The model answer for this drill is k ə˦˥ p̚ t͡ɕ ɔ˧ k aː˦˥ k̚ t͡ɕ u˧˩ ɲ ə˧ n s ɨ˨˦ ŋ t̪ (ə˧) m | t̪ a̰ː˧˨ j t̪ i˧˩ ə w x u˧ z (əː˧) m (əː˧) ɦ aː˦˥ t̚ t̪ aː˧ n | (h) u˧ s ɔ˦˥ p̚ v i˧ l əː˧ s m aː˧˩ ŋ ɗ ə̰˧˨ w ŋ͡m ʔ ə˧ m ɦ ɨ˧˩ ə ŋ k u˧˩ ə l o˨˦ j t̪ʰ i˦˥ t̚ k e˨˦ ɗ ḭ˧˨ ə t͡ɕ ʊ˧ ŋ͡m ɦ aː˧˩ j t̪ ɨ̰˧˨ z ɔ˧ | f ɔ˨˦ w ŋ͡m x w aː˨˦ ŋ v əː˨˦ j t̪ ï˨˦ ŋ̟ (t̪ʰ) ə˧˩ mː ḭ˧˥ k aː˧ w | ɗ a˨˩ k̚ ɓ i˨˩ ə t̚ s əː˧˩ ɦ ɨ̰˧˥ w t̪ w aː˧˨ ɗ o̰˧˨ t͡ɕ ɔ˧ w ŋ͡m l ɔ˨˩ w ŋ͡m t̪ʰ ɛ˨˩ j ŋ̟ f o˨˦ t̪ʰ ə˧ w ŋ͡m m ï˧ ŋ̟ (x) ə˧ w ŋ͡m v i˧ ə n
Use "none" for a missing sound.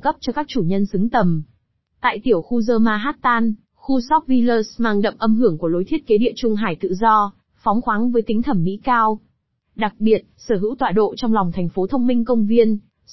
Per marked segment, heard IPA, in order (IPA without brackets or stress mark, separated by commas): ə˨˩, əː˧, aː˧, x, t̪ʰ, k